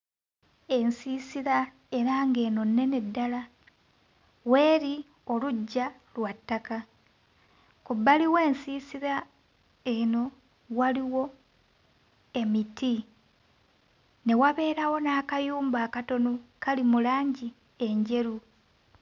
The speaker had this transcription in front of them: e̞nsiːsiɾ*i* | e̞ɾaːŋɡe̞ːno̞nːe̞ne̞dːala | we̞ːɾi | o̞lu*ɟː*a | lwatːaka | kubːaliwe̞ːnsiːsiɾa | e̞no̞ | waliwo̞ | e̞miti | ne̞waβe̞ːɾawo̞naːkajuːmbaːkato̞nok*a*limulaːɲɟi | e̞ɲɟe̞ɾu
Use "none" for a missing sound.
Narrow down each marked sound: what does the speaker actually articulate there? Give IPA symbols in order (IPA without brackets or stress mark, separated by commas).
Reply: a, ɟː, a